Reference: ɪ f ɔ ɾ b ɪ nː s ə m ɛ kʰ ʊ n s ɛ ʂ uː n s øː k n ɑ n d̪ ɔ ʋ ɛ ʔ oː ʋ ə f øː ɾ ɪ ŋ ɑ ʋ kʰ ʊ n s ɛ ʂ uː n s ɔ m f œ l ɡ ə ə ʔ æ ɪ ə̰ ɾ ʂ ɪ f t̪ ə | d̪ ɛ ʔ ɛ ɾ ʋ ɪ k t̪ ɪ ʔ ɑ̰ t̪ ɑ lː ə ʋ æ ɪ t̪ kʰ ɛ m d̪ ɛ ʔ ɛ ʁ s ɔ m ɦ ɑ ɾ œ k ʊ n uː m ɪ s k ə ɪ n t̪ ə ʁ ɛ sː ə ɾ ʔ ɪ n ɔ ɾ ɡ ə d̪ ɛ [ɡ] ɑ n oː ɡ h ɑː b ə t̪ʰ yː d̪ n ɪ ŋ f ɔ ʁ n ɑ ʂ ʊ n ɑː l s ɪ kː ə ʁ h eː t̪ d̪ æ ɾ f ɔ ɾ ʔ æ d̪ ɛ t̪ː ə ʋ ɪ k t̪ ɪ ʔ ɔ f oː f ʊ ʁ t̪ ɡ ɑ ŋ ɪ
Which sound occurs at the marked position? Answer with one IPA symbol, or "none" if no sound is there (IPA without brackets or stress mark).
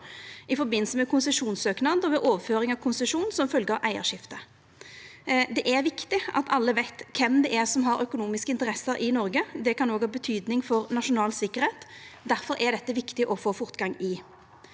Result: k